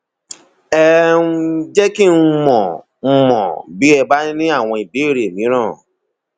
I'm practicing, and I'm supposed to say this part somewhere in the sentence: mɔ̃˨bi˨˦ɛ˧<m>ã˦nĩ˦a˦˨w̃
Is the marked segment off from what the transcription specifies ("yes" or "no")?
yes